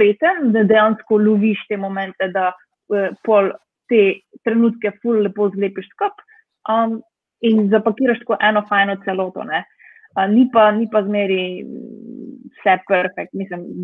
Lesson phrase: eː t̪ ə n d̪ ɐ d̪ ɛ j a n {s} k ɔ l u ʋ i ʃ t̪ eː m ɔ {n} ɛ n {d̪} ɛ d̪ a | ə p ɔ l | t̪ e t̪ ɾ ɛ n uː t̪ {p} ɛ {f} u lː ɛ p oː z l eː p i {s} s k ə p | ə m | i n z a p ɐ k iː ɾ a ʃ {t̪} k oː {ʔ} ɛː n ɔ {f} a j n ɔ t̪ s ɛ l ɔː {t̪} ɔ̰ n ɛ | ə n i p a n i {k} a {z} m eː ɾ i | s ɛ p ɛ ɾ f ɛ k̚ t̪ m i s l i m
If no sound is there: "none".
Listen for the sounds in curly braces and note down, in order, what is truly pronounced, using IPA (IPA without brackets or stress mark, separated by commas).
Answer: s, m, t̪, k, f, ʃ, t̪, ʔ, f, t̪, p, z